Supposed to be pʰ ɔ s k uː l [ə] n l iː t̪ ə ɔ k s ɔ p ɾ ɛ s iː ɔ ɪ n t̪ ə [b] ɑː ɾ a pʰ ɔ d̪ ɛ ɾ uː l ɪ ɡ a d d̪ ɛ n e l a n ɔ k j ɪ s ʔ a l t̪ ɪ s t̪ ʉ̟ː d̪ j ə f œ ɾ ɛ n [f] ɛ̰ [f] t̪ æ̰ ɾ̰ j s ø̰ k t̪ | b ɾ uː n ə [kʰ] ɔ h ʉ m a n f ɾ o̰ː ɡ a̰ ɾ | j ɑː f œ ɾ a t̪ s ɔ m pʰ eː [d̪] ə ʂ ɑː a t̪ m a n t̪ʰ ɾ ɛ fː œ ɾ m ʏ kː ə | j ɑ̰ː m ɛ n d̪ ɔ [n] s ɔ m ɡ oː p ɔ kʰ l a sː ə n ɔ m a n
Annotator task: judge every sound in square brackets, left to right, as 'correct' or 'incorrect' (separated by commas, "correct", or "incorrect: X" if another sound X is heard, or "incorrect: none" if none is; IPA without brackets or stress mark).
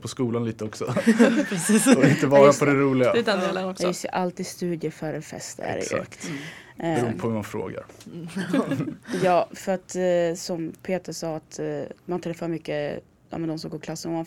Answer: incorrect: a, incorrect: v, correct, incorrect: s, incorrect: pʰ, incorrect: t̪, incorrect: m